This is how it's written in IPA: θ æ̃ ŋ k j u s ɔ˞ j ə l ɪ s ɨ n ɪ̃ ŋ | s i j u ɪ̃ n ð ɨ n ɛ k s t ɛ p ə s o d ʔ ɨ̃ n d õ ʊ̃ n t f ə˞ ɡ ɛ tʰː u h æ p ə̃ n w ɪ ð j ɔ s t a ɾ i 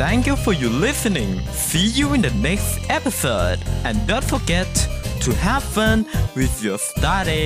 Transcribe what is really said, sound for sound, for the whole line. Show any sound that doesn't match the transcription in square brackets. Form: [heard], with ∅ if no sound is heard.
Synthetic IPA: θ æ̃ ŋ k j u [f] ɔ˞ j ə l ɪ s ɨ n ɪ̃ ŋ | s i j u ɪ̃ n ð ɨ n ɛ k s t ɛ p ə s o d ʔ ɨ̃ n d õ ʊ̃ n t f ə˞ ɡ ɛ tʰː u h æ p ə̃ n w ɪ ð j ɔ s t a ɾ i